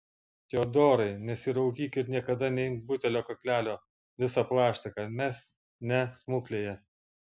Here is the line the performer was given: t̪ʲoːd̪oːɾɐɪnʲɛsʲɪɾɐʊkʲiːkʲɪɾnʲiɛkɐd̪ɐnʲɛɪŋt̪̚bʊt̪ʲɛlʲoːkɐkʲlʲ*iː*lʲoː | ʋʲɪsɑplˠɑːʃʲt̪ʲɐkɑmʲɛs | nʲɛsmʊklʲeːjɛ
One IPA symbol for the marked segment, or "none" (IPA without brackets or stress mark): æː